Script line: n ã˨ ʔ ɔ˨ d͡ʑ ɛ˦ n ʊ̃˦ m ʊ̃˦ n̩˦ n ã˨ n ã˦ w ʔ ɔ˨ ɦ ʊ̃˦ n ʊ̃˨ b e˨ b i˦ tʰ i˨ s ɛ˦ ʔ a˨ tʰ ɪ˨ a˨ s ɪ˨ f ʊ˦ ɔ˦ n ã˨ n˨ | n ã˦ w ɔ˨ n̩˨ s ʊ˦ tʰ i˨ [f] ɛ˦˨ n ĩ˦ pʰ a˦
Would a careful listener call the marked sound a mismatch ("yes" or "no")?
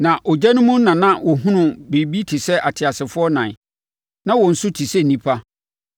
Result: yes